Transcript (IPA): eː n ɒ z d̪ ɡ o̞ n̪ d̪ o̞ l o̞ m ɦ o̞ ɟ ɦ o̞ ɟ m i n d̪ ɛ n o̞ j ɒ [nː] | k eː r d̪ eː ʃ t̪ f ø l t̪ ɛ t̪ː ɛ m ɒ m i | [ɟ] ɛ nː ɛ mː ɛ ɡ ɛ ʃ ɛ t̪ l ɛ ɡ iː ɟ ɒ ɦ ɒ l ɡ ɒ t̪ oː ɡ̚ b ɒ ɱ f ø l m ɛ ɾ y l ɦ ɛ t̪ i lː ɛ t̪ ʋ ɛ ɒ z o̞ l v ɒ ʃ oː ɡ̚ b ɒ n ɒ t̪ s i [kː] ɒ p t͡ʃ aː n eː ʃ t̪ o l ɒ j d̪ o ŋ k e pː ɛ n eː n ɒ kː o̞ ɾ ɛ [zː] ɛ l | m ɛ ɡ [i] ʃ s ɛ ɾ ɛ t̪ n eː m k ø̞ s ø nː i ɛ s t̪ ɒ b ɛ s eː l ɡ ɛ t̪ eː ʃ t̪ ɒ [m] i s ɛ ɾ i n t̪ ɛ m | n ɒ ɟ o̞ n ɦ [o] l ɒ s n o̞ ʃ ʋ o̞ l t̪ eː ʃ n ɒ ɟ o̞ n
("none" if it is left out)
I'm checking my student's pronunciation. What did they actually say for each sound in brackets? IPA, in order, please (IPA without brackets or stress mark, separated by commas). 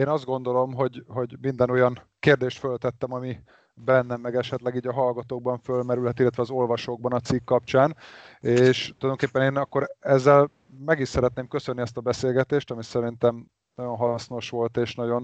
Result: n, b, kː, zː, i, m, ɒ